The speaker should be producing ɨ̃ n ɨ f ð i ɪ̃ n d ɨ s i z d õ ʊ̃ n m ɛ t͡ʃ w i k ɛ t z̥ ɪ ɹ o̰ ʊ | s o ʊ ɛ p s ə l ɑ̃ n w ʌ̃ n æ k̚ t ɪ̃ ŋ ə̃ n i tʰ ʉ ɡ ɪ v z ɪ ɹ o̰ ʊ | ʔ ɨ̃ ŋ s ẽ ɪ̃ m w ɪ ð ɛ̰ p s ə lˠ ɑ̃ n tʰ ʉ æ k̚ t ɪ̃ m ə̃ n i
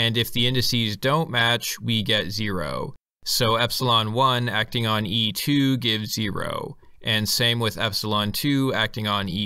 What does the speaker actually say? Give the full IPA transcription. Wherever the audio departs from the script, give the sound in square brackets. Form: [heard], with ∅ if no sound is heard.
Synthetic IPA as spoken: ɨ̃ n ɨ f ð i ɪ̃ n d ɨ s i z d õ ʊ̃ n m [æ] t͡ʃ w i [ɡ] ɛ t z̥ ɪ ɹ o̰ ʊ | s o ʊ ɛ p s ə l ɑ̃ n w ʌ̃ n æ k̚ t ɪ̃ ŋ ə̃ n i tʰ ʉ ɡ ɪ v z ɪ ɹ o̰ ʊ | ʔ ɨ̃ [n] s ẽ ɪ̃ m w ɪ ð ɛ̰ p s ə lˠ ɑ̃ n tʰ ʉ æ k̚ t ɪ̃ [ŋ] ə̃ n i